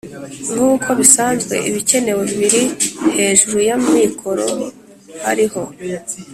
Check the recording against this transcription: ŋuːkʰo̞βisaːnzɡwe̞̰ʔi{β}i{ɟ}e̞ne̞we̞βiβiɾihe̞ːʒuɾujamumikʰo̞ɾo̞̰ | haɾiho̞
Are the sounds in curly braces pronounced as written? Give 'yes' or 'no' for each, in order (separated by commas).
yes, no